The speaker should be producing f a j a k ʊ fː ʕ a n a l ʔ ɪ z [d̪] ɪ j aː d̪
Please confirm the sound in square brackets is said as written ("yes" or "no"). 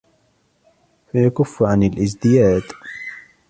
yes